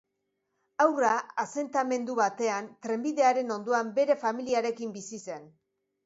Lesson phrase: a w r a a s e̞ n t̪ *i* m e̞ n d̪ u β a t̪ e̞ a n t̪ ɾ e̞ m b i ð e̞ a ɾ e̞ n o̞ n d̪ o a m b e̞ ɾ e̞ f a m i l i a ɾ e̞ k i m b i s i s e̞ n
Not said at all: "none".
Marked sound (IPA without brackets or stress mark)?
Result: a